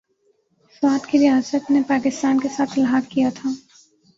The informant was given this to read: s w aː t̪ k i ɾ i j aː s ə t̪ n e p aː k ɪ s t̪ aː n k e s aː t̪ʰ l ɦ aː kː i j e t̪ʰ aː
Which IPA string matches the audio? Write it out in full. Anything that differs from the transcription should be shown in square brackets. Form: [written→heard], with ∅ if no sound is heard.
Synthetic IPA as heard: s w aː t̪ k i ɾ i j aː s ə t̪ n e p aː k ɪ s t̪ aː n k e s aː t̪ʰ l ɦ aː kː i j [e→a] t̪ʰ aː